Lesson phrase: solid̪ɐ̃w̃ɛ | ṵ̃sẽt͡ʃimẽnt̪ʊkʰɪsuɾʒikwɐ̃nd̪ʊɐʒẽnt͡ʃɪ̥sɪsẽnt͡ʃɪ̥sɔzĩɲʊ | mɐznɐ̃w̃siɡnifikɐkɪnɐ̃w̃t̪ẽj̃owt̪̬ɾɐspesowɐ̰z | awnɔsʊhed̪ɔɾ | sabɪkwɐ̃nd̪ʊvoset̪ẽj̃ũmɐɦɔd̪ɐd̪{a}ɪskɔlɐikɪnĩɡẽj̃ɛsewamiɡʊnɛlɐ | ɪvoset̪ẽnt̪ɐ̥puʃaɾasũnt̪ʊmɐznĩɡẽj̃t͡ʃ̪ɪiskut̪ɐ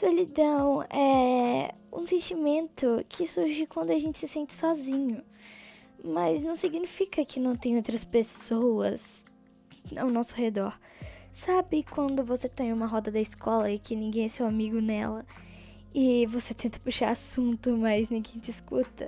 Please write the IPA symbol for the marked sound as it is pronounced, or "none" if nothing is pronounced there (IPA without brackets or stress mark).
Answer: ɐ